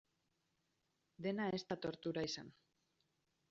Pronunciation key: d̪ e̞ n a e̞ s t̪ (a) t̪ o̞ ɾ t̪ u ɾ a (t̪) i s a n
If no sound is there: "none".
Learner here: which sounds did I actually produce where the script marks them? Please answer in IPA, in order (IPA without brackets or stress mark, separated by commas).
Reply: a, none